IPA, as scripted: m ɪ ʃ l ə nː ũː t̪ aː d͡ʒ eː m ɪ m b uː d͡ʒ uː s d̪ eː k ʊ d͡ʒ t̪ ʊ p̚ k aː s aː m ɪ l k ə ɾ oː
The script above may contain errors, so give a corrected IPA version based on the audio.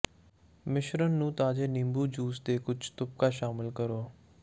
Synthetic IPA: m ɪ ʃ ɾ ə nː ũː t̪ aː d͡ʒ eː n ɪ m b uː d͡ʒ uː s d̪ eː k ʊ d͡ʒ t̪ ʊ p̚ k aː ʃ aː m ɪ l k ə ɾ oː

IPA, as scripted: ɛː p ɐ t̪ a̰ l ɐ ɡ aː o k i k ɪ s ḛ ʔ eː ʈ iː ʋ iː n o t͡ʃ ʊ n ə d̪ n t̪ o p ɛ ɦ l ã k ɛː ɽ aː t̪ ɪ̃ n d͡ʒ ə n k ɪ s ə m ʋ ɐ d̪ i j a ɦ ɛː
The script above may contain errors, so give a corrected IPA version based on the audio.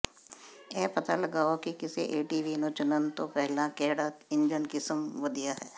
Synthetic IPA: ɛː p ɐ t̪ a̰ l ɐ ɡ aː o k i k ɪ s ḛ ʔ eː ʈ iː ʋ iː n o t͡ʃ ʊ n ə n t̪ o p ɛ ɦ l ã k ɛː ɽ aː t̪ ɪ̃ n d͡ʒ ə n k ɪ s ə m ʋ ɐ d̪ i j a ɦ ɛː

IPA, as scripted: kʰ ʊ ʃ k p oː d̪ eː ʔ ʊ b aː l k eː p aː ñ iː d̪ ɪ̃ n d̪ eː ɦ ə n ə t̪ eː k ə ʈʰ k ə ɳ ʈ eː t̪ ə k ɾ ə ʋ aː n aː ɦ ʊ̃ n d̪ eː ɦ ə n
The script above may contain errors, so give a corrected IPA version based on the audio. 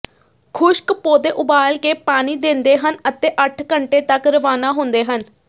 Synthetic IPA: kʰ ʊ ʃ k p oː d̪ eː ʔ ʊ b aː l k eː p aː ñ iː d̪ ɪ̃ n d̪ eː ɦ ə n ə t̪ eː ʔ ə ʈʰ k ə ɳ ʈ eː t̪ ə k ɾ ə ʋ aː n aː ɦ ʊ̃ n d̪ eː ɦ ə n

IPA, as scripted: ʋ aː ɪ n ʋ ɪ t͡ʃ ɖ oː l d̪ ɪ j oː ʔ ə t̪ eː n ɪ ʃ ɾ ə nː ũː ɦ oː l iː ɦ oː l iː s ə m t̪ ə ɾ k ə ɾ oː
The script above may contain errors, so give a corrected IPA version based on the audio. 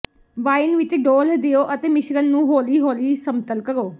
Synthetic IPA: ʋ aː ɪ n ʋ ɪ t͡ʃ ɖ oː l d̪ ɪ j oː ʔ ə t̪ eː m ɪ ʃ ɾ ə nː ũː ɦ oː l iː ɦ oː l iː s ə m t̪ ə l k ə ɾ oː

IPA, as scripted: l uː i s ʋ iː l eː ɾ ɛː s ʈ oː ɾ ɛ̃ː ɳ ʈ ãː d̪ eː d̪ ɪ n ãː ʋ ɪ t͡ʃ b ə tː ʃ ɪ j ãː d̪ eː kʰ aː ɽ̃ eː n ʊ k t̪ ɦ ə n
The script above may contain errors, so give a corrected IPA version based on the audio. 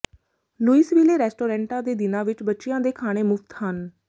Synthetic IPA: l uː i s ʋ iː l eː ɾ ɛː s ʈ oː ɾ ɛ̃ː ɳ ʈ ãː d̪ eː d̪ ɪ n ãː ʋ ɪ t͡ʃ b ə tː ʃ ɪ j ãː d̪ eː kʰ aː ɽ̃ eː m ʊ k t̪ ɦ ə n

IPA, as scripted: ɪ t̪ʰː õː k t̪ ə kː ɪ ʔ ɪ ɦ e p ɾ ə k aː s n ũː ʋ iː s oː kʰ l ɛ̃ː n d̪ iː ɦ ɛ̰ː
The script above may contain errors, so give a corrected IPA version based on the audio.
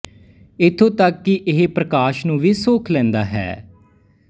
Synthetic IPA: ɪ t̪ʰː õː t̪ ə kː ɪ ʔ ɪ ɦ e p ɾ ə k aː ʃ n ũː ʋ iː s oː kʰ l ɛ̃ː n d̪ aː ɦ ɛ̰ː

